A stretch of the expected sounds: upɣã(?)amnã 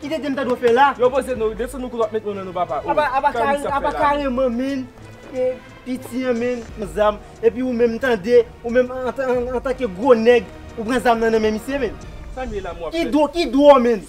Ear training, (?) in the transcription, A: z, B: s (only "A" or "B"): A